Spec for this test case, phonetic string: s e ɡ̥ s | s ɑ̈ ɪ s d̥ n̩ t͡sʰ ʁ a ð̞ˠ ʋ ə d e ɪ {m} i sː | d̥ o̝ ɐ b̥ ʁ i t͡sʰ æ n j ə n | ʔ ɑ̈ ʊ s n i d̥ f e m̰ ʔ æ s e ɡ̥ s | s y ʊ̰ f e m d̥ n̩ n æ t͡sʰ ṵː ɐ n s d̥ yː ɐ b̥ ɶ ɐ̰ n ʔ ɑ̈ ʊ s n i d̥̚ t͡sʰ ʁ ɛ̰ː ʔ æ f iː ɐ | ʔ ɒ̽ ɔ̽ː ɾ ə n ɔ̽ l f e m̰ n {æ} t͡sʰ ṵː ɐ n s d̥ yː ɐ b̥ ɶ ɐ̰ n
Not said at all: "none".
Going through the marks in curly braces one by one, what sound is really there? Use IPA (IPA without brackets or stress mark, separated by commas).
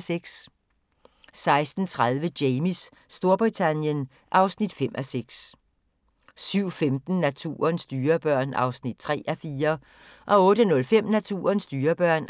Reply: m, æ